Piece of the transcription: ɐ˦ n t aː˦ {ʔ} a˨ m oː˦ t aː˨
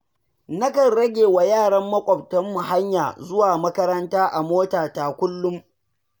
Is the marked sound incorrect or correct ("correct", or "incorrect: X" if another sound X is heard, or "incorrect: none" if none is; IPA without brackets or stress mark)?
correct